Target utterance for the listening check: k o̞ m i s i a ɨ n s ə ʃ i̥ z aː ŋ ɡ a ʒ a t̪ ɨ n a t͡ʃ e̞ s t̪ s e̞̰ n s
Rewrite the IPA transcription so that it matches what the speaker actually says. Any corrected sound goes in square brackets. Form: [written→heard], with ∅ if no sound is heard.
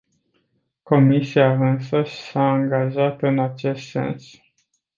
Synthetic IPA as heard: k o̞ m i s i a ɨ n s ə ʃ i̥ [z→s] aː ŋ ɡ a ʒ a t̪ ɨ n a t͡ʃ e̞ s t̪ s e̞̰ n s